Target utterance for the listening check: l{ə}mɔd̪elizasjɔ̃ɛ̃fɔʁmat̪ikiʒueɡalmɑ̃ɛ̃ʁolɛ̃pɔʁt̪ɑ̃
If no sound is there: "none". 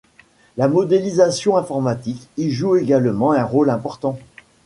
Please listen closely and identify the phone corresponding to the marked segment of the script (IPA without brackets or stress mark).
a